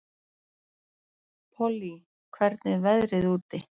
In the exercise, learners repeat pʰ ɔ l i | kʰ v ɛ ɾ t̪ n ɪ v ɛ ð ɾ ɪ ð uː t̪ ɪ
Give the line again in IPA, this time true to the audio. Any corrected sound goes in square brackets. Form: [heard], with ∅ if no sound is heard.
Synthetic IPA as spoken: pʰ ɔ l i | kʰ v ɛ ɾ t̪ n ɪ v ɛ ð ɾ ɪ ð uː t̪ ɪ

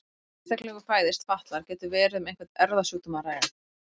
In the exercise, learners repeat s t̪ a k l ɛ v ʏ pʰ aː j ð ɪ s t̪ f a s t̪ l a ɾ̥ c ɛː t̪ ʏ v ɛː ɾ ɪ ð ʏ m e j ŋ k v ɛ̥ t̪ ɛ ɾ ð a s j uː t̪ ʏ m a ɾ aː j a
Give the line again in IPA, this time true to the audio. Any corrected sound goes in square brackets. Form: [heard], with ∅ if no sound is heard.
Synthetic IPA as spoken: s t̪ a k l ɛ [ɣ] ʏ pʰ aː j ð ɪ s t̪ f a [h] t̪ l a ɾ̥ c ɛː t̪ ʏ v ɛː ɾ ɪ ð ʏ m e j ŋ k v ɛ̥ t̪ ɛ ɾ ð a s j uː t̪ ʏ m a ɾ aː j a

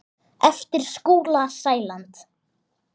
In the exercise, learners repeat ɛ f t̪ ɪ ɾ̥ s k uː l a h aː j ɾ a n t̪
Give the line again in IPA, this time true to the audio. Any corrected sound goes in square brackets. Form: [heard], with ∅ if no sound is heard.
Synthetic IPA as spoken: ɛ f t̪ ɪ ɾ̥ s k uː l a [s] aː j [l] a n t̪

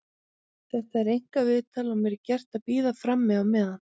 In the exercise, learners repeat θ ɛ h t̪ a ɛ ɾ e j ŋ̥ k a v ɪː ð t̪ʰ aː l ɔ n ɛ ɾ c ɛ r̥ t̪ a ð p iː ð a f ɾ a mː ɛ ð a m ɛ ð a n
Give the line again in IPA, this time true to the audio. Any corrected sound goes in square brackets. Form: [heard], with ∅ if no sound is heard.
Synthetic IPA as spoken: θ ɛ h t̪ a ɛ ɾ e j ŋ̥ k a v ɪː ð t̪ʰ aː l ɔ [m] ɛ ɾ c ɛ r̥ t̪ a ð p iː ð a f ɾ a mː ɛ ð a m ɛ ð a n

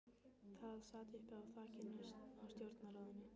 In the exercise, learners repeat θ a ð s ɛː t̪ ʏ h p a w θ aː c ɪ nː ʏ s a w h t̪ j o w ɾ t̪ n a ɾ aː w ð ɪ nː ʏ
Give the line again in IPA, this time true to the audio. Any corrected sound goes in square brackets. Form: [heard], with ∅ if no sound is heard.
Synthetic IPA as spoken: θ a ð s [aː] t̪ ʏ h p a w θ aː c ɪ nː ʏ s a w [s] t̪ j o w ɾ t̪ n a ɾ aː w ð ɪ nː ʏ

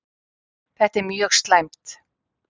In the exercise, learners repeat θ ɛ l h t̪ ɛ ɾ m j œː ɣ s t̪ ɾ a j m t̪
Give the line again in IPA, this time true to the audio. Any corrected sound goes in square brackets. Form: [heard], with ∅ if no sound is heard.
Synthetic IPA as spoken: θ ɛ [∅] h t̪ ɛ ɾ m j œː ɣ s t̪ [l] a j m t̪

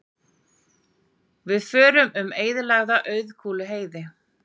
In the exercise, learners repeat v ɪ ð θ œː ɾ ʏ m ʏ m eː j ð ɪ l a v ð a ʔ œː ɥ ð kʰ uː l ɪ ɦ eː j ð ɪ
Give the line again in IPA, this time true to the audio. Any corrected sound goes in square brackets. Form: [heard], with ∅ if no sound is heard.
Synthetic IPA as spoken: v ɪ ð [f] œː ɾ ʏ m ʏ m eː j ð ɪ l a [ɣ] ð a ʔ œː ɥ ð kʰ uː l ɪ ɦ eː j ð ɪ

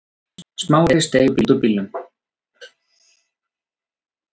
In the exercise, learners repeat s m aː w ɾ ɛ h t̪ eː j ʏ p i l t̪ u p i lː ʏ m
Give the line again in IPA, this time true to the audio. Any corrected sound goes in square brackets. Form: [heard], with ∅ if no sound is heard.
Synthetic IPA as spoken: s m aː w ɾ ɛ [s] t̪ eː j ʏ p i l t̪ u p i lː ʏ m

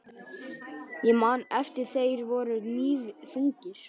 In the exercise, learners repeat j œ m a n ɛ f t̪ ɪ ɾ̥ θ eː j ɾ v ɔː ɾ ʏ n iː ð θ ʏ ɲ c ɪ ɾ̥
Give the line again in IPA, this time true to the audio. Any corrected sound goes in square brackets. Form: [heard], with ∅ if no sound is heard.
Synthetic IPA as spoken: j [ɛ] m a n ɛ f t̪ ɪ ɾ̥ θ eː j ɾ v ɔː ɾ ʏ n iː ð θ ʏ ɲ c ɪ ɾ̥

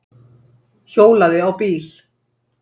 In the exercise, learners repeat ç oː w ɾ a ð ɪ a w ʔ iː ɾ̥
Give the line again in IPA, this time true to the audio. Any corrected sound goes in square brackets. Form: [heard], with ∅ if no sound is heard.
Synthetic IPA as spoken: ç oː w [l] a ð ɪ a w [p] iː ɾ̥

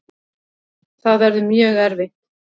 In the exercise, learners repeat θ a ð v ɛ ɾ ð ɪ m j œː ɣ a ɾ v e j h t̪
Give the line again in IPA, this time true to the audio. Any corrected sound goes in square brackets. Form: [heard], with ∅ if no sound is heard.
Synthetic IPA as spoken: θ a ð v ɛ ɾ ð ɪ m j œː ɣ [ɛ] ɾ v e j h t̪

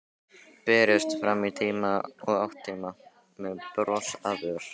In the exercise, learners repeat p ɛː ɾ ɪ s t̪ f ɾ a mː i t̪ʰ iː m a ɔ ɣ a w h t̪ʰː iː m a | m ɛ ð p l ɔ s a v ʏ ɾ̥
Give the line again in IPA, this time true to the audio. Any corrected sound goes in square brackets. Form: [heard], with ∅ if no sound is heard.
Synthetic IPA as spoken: p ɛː ɾ ɪ s t̪ f ɾ a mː i t̪ʰ iː m a ɔ ɣ a w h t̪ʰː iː m a | m ɛ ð p [ɾ] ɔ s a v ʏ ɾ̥

